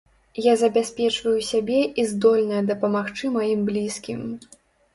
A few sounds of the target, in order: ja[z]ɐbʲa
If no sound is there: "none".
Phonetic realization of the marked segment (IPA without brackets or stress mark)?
z